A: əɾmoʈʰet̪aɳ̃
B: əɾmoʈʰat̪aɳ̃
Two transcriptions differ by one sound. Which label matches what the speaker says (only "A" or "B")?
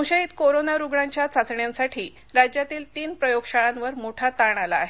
B